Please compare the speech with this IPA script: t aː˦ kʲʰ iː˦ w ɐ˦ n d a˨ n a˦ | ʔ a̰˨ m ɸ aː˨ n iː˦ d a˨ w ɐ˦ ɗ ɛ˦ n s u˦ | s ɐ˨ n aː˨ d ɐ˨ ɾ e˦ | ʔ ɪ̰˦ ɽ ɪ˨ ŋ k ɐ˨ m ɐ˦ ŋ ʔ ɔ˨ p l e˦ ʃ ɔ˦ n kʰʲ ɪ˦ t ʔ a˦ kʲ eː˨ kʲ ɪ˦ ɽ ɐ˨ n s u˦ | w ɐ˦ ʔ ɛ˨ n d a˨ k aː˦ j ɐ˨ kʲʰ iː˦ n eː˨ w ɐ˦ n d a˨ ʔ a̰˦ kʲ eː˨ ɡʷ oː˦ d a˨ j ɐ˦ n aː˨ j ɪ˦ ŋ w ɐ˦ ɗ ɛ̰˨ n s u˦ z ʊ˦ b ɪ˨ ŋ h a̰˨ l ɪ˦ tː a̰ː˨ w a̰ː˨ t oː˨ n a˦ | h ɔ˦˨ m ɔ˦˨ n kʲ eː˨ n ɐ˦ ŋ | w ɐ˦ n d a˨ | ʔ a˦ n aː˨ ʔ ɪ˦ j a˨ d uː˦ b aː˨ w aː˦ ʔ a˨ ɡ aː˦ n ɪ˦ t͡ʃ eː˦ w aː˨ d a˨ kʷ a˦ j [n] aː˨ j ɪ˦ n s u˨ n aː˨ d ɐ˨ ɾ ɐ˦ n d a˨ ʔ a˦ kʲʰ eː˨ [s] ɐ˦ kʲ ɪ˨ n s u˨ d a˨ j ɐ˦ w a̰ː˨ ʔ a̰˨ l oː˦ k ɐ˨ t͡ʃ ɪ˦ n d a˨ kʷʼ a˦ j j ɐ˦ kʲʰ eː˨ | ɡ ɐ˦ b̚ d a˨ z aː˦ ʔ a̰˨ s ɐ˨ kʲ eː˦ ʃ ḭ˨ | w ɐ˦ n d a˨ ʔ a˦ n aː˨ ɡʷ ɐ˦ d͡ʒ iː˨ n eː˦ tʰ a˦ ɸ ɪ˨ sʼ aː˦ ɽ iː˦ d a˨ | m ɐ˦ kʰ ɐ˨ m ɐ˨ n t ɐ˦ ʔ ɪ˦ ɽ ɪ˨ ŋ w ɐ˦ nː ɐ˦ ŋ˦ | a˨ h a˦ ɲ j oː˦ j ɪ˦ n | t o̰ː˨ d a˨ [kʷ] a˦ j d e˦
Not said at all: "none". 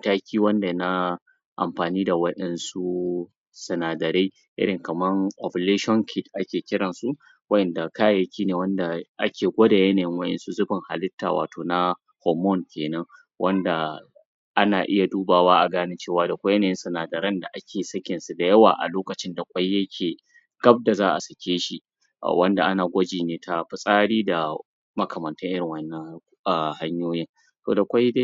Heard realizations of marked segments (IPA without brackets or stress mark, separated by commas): n, s, kʷ